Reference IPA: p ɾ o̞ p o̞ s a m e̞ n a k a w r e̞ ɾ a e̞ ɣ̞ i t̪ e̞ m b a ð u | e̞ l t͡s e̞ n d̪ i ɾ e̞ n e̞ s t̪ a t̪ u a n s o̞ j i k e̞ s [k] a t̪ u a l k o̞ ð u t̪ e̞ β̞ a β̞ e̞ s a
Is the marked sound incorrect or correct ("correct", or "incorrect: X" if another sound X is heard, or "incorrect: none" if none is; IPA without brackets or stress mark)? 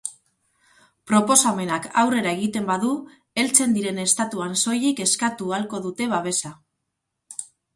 correct